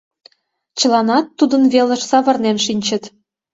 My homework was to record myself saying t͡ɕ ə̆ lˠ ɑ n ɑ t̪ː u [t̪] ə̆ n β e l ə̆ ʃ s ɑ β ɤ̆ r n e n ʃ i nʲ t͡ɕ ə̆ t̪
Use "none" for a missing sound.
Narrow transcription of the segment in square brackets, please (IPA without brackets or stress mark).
d̪